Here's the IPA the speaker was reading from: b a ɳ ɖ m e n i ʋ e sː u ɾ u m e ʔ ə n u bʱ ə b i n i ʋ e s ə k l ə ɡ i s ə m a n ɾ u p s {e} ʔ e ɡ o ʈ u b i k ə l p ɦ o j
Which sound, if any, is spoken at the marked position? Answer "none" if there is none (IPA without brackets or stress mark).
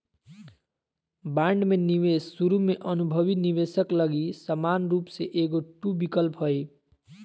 e